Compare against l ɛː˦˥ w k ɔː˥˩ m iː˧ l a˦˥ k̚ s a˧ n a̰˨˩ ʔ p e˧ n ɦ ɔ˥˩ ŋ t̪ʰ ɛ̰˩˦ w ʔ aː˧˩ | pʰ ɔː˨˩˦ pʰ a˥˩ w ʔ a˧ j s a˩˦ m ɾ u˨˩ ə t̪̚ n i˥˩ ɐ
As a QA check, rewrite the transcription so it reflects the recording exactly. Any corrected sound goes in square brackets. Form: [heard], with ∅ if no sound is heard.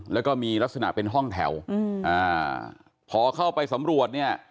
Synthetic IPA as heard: l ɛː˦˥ w k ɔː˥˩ m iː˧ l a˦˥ k̚ s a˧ n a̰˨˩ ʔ p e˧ n ɦ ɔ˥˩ ŋ t̪ʰ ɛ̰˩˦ w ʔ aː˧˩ | pʰ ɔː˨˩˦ [kʰ] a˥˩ w [p] a˧ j s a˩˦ m ɾ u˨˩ ə t̪̚ n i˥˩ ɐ